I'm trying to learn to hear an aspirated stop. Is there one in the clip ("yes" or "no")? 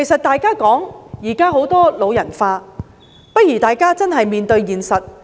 no